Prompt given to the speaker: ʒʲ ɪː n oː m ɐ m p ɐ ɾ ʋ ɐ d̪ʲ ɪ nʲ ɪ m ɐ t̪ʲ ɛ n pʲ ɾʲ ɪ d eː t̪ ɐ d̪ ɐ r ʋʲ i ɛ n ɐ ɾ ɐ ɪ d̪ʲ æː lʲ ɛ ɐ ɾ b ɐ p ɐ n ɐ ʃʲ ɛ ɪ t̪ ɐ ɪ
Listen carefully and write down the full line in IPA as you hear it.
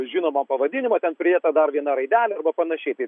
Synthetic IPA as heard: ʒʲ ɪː n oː m ɐ m p ɐ ʋ ɐ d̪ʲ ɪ nʲ ɪ m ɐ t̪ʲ ɛ n pʲ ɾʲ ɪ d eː t̪ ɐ d̪ ɐ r ʋʲ i ɛ n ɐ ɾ ɐ ɪ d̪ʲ æː lʲ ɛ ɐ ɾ b ɐ p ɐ n ɐ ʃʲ ɛ ɪ t̪ ɐ ɪ